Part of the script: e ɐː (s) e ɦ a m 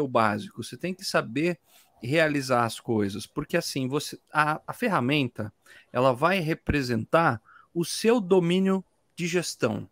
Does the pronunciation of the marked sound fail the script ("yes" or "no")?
yes